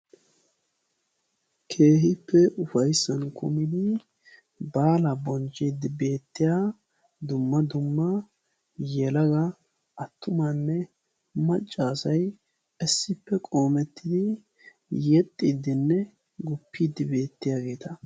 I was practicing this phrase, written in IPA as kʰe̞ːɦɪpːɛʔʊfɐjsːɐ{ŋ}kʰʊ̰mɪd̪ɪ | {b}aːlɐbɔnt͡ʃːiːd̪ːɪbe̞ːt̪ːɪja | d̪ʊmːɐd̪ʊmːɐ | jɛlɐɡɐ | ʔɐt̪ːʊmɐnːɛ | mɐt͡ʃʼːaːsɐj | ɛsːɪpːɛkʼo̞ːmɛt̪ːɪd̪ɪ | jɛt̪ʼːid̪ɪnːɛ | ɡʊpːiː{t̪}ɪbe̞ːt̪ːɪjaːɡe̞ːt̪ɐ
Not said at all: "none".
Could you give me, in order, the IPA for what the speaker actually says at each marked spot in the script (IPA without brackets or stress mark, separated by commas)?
n, b, d̪